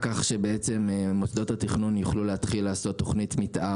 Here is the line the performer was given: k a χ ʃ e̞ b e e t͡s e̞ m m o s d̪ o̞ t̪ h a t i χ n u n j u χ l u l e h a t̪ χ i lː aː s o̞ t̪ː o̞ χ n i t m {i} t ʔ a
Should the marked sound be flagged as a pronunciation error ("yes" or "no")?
no